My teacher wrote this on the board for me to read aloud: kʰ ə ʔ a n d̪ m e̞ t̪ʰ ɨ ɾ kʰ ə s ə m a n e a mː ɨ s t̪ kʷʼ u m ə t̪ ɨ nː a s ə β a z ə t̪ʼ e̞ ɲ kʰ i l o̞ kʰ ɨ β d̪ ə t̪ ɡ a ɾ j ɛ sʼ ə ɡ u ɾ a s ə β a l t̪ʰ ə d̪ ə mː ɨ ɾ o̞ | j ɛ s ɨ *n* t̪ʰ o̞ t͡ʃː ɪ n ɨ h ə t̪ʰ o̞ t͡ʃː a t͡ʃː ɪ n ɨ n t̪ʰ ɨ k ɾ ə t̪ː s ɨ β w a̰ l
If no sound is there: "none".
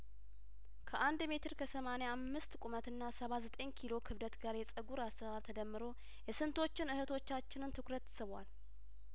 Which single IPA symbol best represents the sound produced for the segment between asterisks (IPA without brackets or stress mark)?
n